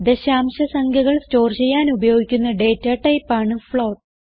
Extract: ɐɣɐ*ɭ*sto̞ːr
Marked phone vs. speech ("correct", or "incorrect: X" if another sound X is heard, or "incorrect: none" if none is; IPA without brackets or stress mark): correct